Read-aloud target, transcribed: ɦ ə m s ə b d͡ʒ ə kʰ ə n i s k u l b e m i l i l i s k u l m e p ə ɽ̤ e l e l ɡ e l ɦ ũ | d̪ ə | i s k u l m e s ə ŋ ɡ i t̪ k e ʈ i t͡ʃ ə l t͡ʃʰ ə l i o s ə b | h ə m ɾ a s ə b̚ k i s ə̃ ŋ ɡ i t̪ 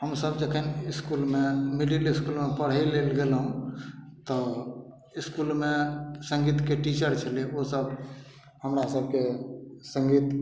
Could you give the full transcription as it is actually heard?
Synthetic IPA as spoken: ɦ ə m s ə b d͡ʒ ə kʰ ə n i s k u l m e m i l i l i s k u l m e p ə ɽ̤ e l e l ɡ e l ɦ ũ | t̪ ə | i s k u l m e s ə ŋ ɡ i t̪ k e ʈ i t͡ʃ ə ɾ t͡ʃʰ ə l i o s ə b | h ə m ɾ a s ə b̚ k e s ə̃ ŋ ɡ i t̪